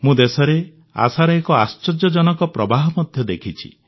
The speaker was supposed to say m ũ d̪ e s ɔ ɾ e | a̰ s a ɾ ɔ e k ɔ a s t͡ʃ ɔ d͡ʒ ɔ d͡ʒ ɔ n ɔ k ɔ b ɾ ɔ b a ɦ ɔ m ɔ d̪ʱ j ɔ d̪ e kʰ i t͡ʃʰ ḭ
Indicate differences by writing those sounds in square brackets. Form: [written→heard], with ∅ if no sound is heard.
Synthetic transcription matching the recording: m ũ d̪ e s ɔ ɾ e | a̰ s a ɾ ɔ e k ɔ a s t͡ʃ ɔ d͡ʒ ɔ d͡ʒ ɔ n ɔ k ɔ [b→p] ɾ ɔ b a ɦ ɔ m ɔ d̪ʱ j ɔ d̪ e kʰ i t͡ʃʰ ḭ